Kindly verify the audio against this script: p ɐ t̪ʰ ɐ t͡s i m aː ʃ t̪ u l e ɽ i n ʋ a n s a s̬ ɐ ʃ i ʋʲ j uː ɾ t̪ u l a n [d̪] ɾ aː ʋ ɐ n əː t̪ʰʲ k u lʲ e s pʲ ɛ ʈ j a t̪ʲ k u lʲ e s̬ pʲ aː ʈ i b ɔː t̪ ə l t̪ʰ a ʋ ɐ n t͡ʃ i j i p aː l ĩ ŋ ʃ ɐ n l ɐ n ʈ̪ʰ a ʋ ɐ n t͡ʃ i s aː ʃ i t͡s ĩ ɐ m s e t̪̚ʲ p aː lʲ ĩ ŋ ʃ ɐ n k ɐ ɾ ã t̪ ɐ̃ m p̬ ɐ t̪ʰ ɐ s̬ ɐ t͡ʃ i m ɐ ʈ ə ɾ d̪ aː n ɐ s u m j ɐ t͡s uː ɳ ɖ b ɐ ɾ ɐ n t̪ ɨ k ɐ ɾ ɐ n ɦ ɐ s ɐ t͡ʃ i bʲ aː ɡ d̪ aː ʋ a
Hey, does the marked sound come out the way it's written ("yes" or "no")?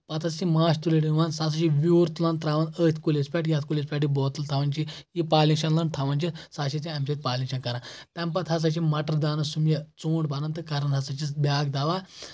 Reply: no